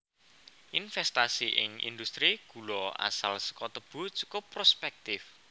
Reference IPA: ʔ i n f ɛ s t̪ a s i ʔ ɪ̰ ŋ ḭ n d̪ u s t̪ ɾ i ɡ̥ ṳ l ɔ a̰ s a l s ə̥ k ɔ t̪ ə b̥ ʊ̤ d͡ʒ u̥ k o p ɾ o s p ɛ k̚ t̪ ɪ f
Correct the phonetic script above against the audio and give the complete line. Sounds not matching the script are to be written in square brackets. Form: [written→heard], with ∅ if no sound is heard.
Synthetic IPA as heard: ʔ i n f ɛ s t̪ a s i ʔ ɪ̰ ŋ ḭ n d̪ u s t̪ ɾ i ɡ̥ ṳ l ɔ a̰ s a l s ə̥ k ɔ t̪ ə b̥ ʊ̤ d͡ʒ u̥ k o p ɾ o s p ɛ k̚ t̪ ɪ f